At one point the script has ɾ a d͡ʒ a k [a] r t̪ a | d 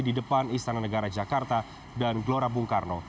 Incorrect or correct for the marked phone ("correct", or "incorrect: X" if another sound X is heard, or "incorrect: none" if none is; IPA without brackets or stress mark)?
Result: correct